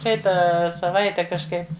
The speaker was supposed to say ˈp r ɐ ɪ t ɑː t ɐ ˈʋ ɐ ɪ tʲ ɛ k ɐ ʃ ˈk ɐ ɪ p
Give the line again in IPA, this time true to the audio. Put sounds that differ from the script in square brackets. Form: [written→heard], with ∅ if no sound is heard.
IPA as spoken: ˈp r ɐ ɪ t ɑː [t→s] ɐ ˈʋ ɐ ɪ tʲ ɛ k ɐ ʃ ˈk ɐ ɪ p

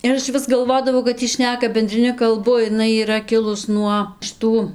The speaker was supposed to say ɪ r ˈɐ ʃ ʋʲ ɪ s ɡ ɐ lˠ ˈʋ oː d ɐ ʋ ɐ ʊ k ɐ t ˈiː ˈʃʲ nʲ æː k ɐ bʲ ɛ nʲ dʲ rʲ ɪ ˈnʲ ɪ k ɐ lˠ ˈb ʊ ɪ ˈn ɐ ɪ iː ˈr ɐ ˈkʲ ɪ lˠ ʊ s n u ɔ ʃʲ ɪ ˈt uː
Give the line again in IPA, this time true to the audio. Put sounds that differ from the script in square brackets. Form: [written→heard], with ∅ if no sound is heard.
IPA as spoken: ɪ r ˈɐ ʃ ʋʲ ɪ s ɡ ɐ lˠ ˈʋ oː d ɐ ʋ ɐ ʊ k ɐ t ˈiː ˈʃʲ nʲ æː k ɐ bʲ ɛ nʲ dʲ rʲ ɪ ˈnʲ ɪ k ɐ lˠ ˈb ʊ ɪ ˈn ɐ ɪ iː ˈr ɐ ˈkʲ ɪ lˠ ʊ s n u ɔ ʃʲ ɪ ˈt uː

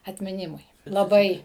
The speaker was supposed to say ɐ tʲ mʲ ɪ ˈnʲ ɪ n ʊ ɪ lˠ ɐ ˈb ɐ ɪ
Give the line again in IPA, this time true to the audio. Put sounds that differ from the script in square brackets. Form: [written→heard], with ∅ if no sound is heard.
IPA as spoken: ɐ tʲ mʲ ɪ ˈnʲ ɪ [n→m] ʊ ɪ lˠ ɐ ˈb ɐ ɪ

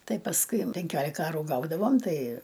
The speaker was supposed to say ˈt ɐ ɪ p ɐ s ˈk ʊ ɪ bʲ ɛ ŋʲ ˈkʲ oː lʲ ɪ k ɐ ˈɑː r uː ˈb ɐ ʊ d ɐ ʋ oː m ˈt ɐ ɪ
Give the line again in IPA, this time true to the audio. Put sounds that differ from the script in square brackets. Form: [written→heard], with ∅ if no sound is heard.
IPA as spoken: ˈt ɐ ɪ p ɐ s ˈk ʊ ɪ [bʲ→pʲ] ɛ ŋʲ ˈkʲ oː lʲ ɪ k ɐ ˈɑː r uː [ˈb→ˈɡ] ɐ ʊ d ɐ ʋ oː m ˈt ɐ ɪ

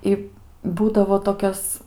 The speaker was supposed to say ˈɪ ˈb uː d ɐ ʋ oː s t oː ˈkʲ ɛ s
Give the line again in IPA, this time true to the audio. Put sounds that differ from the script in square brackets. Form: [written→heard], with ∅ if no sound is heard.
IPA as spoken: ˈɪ ˈb uː d ɐ ʋ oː [s→∅] t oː ˈkʲ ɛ s

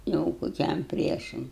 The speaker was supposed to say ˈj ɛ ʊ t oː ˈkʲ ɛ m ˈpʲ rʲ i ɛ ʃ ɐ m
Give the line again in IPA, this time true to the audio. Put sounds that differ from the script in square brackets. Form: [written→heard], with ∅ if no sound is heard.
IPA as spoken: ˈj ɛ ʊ [t→k] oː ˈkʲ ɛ m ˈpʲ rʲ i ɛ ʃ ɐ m

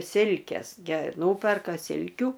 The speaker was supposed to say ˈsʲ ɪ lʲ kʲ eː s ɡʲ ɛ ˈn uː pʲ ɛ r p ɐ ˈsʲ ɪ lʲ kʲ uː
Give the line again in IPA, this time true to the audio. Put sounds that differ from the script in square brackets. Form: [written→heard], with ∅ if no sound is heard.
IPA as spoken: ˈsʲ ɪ lʲ kʲ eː s ɡʲ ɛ ˈn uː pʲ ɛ r [p→k] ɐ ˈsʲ ɪ lʲ kʲ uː

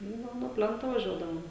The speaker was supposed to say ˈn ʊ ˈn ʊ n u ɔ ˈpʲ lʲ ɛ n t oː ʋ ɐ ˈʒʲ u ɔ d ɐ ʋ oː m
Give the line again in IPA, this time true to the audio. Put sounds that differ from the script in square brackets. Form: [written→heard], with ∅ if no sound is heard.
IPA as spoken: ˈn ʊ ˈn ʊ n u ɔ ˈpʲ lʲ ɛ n t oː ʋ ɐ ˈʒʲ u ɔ d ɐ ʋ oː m

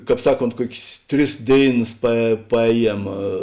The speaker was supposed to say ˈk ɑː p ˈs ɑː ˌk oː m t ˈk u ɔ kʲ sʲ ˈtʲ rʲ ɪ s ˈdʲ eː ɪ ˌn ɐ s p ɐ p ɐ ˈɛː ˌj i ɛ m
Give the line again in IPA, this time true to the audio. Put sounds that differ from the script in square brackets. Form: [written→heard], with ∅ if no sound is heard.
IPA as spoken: ˈk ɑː p ˈs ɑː ˌk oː [m→n] t ˈk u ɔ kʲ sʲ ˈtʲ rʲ ɪ s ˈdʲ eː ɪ ˌn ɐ s p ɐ p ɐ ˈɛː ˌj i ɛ m

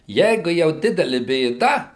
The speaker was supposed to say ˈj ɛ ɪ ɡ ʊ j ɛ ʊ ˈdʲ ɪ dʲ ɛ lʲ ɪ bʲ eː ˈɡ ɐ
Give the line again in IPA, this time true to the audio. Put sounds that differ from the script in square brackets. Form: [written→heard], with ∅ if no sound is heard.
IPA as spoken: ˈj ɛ ɪ ɡ ʊ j ɛ ʊ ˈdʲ ɪ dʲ ɛ lʲ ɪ bʲ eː [ˈɡ→ˈd] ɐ

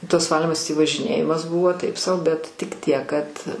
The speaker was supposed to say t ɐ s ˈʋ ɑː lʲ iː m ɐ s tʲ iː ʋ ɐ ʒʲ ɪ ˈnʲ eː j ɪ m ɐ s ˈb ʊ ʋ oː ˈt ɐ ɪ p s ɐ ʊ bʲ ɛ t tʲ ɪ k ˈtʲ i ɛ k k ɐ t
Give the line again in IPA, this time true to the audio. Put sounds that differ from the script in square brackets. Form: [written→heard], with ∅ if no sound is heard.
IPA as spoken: t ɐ s ˈʋ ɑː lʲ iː m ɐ s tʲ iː ʋ ɐ ʒʲ ɪ ˈnʲ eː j ɪ m ɐ s ˈb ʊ ʋ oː ˈt ɐ ɪ p s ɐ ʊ bʲ ɛ t tʲ ɪ k ˈtʲ i ɛ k k ɐ t

